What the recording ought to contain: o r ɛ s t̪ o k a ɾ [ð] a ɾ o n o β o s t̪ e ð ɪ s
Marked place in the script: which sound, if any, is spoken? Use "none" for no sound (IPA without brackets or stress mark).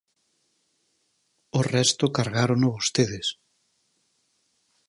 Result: ɣ